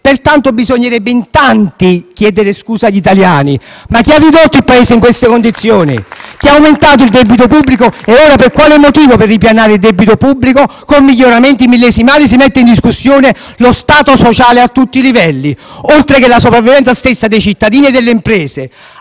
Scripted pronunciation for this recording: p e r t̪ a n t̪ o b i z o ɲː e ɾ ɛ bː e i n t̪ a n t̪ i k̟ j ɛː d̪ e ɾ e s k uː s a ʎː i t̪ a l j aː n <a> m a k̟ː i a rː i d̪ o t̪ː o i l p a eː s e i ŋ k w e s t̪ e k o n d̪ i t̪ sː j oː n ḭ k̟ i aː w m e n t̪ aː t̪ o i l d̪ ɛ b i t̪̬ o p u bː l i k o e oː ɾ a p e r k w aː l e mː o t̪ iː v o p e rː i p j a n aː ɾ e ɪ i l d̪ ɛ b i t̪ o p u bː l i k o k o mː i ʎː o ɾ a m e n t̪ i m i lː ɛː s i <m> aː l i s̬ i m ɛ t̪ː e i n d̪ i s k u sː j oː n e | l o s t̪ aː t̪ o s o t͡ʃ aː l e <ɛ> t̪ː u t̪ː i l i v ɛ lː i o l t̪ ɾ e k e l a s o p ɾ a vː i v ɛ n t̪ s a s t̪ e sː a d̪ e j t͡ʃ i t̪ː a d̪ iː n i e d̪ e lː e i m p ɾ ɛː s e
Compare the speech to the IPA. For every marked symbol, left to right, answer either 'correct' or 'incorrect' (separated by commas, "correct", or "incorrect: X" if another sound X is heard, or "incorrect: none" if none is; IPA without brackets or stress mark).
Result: incorrect: i, correct, incorrect: a